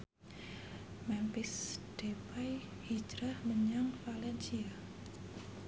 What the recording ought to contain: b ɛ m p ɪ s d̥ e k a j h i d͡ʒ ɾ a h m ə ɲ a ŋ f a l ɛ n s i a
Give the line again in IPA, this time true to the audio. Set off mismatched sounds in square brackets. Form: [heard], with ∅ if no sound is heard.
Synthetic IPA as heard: [m] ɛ m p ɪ s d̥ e [p] a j h i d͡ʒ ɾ a h m ə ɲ a ŋ f a l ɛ n s i a